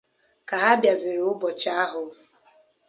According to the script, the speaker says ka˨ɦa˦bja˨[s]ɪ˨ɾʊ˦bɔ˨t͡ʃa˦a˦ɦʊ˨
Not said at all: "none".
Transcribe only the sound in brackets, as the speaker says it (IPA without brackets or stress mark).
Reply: z